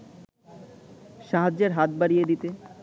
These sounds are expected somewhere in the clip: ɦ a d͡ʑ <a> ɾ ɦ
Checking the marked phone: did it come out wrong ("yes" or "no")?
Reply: yes